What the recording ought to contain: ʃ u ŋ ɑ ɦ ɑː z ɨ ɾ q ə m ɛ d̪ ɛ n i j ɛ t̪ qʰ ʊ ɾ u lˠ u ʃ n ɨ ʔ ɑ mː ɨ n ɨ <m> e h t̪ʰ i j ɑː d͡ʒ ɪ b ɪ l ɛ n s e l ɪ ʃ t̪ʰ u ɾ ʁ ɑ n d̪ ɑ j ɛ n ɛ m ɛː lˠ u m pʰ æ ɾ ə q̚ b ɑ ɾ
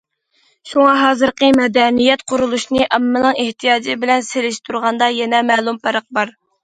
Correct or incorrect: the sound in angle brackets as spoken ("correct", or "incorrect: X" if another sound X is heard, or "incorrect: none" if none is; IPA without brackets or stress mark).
incorrect: ŋ